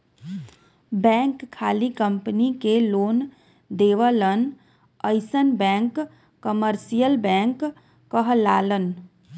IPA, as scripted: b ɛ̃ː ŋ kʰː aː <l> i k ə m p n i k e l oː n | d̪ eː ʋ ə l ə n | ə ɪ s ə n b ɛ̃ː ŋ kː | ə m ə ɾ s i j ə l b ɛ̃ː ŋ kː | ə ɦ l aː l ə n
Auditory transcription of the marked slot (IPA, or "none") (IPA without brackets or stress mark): l